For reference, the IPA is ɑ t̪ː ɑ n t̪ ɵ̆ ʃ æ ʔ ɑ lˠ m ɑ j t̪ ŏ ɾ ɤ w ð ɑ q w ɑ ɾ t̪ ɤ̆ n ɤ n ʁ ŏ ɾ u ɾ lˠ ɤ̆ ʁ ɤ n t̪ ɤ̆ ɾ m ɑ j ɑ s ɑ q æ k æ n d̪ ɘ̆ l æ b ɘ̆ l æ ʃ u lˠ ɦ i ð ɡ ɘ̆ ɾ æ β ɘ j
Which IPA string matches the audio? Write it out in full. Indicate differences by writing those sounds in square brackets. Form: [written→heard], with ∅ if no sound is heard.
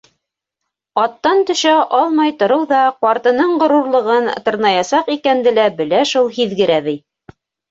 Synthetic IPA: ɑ t̪ː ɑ n t̪ ɵ̆ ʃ æ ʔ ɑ lˠ m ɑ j t̪ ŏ ɾ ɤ w ð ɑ q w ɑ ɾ t̪ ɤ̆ n ɤ [n→ɴ] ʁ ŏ ɾ u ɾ lˠ ɤ̆ ʁ ɤ n t̪ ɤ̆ ɾ [m→n] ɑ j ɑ s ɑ q [æ→i] k æ n d̪ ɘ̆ l æ b ɘ̆ l æ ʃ u lˠ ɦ i ð ɡ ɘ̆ ɾ æ β ɘ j